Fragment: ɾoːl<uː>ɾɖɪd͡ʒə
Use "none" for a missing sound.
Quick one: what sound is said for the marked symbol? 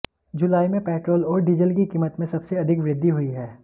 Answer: ɔː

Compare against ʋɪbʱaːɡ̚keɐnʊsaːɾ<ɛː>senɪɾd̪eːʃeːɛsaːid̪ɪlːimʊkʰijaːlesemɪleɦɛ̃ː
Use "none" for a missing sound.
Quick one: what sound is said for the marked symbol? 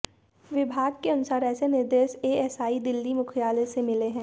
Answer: ɛː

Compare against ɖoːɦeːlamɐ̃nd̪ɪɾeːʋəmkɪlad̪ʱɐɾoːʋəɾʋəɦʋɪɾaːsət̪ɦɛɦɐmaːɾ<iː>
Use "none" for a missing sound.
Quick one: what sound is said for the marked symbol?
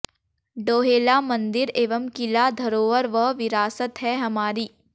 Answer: iː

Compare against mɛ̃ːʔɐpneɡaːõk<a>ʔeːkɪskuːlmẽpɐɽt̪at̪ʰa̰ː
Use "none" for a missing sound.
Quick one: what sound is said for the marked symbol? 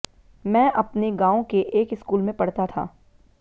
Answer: e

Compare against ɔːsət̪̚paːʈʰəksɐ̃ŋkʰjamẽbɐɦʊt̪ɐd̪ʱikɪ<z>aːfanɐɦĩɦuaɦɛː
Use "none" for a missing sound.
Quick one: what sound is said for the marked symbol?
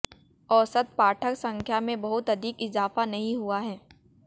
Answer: z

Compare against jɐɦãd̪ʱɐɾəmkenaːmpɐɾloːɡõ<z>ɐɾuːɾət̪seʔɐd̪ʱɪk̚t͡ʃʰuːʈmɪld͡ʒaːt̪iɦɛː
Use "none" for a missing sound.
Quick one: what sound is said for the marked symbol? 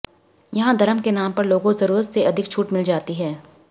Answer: z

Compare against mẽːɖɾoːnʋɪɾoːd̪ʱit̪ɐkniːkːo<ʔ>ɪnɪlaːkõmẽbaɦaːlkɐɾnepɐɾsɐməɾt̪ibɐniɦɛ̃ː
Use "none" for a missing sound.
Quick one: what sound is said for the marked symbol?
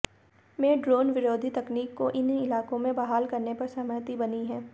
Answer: ʔ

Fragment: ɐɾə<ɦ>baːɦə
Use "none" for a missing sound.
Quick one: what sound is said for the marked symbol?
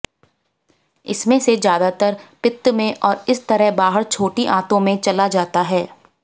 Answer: ɦ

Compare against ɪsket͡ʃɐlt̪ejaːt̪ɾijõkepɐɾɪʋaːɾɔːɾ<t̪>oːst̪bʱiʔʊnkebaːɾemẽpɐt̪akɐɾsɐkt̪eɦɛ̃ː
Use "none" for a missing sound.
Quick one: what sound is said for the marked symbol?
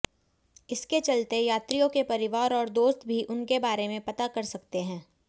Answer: d̪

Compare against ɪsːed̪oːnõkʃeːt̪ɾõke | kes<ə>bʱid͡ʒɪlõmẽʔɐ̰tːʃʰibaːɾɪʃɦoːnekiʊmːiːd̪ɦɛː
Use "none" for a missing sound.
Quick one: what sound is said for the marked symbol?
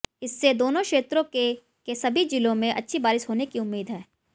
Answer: ɐ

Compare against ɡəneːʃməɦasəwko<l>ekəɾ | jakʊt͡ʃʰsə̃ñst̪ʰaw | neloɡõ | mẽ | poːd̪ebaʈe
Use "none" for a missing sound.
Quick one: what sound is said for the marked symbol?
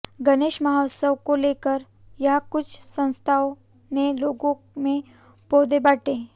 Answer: l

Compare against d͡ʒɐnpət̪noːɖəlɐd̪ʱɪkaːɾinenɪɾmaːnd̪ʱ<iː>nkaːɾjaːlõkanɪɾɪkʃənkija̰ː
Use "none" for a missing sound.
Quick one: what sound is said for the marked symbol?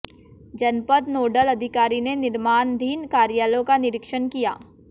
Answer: iː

